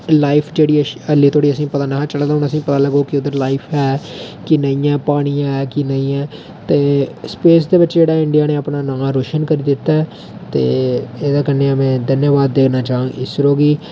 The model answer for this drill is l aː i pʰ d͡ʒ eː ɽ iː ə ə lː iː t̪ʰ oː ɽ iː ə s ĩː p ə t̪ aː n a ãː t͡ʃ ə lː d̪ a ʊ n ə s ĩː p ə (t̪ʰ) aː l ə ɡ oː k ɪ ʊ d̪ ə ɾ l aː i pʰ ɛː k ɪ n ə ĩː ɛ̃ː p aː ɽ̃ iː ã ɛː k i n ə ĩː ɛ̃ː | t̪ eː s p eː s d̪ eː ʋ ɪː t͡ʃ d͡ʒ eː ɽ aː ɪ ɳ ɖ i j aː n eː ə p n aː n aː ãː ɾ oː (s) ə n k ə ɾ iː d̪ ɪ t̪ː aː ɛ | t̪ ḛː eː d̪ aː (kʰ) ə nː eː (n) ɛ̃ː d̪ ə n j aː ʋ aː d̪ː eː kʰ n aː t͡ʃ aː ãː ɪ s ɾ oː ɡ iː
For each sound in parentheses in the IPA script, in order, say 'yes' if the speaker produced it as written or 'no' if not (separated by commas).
no, no, no, no